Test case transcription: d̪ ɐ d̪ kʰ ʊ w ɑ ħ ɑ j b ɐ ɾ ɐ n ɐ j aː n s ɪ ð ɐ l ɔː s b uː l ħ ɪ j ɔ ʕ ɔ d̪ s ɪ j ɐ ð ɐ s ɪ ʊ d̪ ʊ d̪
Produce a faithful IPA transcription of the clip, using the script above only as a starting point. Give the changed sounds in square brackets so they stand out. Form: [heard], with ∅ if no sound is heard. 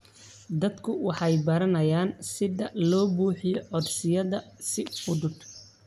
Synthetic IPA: d̪ ɐ d̪ kʰ ʊ w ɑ ħ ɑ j b ɐ ɾ ɐ n ɐ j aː n s ɪ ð ɐ l ɔː [∅] b uː [∅] ħ ɪ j ɔ ʕ ɔ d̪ s ɪ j ɐ ð ɐ s ɪ ʊ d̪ ʊ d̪